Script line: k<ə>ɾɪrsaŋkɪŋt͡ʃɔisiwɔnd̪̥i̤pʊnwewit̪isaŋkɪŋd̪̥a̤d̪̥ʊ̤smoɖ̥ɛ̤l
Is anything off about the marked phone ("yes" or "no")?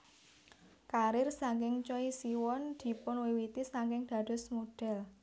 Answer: yes